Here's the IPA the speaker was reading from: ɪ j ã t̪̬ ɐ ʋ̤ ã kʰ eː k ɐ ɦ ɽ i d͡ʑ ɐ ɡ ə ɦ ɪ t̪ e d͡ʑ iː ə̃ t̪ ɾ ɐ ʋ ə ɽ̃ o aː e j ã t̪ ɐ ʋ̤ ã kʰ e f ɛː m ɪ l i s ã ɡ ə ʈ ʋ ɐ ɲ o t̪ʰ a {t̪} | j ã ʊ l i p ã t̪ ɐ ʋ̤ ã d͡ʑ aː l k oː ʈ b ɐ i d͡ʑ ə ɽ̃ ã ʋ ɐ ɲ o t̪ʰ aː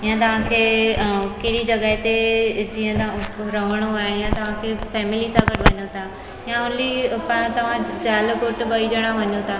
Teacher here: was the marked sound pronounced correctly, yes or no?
no